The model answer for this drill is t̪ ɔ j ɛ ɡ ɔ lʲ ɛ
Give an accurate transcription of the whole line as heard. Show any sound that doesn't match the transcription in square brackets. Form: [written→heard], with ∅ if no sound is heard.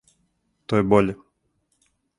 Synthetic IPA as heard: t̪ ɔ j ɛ [ɡ→b] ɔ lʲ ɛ